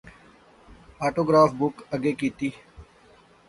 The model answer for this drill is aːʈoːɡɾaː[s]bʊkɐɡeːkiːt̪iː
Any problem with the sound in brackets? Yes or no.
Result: yes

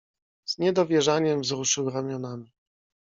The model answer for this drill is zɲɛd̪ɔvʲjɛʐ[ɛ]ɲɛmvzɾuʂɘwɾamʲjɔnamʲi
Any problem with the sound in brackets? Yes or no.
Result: yes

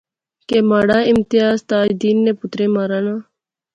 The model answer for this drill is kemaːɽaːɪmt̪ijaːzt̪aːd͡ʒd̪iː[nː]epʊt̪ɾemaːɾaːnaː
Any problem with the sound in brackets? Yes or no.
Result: no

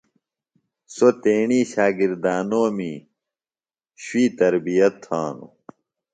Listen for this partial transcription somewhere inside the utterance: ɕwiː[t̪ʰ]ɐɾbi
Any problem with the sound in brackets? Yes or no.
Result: yes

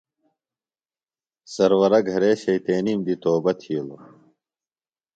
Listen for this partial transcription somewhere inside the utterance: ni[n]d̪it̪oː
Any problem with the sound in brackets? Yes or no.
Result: yes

